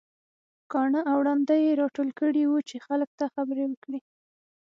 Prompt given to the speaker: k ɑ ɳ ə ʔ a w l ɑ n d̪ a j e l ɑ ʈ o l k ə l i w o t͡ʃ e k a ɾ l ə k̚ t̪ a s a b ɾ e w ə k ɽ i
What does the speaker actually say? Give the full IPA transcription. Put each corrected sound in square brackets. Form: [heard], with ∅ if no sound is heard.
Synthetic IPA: k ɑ ɳ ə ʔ a w [ɽ] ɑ n d̪ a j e [ɾ] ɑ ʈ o l k ə [ɽ] i w [u] t͡ʃ e [x] a [∅] l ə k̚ t̪ a [x] a b ɾ e w ə k ɽ i